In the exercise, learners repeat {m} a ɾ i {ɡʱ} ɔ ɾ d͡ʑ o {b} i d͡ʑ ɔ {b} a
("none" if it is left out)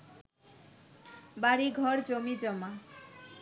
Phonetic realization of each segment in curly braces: b, ɡʱ, m, m

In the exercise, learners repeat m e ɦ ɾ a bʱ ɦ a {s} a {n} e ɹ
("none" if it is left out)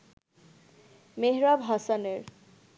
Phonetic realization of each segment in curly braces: s, n

